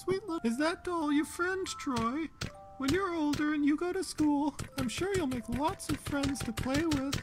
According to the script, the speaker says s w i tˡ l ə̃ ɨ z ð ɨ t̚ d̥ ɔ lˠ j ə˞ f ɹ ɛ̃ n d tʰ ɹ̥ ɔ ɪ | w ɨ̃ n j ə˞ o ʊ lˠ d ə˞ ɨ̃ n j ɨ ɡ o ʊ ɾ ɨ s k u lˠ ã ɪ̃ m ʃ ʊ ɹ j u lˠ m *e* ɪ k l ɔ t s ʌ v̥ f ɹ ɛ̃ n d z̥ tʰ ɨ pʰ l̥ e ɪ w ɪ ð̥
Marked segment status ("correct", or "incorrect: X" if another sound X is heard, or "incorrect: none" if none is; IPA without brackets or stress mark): correct